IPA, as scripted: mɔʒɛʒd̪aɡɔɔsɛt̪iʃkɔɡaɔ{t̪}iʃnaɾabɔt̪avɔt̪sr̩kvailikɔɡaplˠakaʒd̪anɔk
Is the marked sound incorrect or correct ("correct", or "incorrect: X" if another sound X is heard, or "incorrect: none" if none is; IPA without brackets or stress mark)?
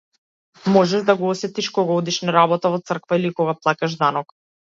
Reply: incorrect: d̪